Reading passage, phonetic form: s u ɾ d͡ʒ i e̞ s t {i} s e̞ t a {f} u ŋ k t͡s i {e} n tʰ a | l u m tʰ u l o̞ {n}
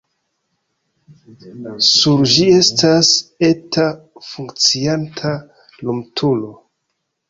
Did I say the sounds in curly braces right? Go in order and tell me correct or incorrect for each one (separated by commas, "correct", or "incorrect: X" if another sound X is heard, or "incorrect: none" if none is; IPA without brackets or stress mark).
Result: incorrect: a, correct, incorrect: a, incorrect: none